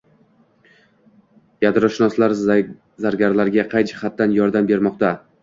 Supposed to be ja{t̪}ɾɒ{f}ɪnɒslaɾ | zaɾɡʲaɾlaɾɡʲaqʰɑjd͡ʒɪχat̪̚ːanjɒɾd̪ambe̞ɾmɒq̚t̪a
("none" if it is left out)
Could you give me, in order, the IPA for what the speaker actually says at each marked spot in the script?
d̪, ʃ

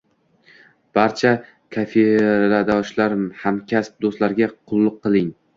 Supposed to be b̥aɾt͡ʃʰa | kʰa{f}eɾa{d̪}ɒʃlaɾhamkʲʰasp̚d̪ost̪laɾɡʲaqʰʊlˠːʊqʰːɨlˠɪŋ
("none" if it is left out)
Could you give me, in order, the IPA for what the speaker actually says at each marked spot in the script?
f, d̪

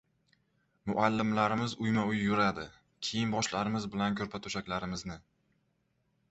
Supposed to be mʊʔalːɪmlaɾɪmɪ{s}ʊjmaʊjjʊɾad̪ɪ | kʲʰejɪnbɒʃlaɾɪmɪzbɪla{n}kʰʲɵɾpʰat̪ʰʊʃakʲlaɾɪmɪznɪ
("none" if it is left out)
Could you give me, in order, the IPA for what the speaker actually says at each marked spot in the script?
z, n

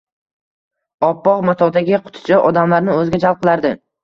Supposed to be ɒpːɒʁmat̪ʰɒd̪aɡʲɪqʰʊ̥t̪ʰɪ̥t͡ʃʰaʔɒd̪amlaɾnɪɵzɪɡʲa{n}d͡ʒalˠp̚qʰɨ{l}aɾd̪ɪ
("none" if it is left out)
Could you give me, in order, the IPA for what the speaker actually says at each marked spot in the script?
none, l

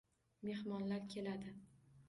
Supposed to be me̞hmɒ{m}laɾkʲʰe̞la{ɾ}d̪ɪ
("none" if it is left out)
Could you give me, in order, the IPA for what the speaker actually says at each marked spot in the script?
n, none

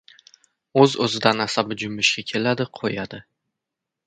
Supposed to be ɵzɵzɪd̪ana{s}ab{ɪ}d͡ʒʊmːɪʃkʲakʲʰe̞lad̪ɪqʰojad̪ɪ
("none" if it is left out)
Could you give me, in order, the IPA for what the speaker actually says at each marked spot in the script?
s, ɪ

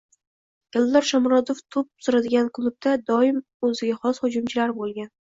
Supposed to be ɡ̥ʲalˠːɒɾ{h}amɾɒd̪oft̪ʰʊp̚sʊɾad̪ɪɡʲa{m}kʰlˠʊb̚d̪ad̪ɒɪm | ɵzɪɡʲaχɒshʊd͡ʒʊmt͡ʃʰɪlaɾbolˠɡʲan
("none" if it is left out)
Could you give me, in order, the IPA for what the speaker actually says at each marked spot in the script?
ʃ, n

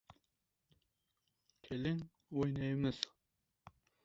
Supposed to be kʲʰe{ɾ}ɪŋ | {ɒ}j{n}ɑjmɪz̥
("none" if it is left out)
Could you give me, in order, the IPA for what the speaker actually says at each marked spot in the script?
l, o, n

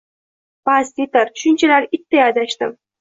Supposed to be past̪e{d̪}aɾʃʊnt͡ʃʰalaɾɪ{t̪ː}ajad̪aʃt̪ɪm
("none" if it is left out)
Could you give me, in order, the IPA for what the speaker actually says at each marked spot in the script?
t̪, t̪ː

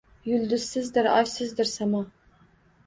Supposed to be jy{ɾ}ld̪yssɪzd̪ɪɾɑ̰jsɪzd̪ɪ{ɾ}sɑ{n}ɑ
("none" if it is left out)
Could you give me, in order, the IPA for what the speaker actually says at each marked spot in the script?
none, ɾ, m

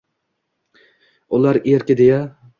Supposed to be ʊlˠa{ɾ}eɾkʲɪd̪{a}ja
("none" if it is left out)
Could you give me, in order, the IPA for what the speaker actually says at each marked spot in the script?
ɾ, e

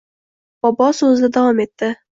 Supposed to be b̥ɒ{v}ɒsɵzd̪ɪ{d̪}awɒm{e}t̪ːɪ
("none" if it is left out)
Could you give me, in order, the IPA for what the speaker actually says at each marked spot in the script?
b, d̪, e

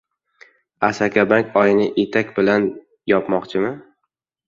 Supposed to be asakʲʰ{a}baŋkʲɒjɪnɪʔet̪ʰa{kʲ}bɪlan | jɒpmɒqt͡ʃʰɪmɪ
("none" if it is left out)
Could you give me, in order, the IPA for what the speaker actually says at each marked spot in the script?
a, kʲ

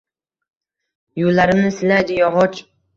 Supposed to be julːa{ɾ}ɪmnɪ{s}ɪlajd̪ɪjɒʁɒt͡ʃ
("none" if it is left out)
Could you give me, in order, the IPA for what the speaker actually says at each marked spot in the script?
ɾ, s

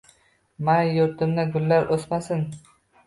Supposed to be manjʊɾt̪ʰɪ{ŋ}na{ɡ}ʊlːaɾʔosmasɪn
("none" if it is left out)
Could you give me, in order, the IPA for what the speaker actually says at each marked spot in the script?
m, ɡ

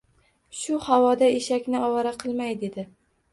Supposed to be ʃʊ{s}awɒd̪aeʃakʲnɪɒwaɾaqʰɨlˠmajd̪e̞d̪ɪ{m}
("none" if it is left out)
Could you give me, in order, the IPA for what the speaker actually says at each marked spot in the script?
h, none

